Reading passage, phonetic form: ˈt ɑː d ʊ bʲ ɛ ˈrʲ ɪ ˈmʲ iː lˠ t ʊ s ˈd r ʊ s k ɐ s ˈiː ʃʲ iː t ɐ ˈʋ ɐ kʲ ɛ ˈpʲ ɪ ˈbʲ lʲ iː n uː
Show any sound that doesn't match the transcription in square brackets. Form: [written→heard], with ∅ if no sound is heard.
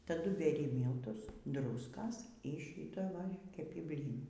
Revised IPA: ˈt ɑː d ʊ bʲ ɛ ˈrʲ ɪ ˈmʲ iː lˠ t ʊ s ˈd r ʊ s k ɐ s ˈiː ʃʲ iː t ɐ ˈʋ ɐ kʲ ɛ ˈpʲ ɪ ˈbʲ lʲ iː n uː